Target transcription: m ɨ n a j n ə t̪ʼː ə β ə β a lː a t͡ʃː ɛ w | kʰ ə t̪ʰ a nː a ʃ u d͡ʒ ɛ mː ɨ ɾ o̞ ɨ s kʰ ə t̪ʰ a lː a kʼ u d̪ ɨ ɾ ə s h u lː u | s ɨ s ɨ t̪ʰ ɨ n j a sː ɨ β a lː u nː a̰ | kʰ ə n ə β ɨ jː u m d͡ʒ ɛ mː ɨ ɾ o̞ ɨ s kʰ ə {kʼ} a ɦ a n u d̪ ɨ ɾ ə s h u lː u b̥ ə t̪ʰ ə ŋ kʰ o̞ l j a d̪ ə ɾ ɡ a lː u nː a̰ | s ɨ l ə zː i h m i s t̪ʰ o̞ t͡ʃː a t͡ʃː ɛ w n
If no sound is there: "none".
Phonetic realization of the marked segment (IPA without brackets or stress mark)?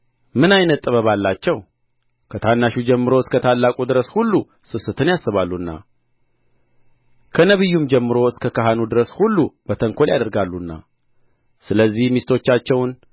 k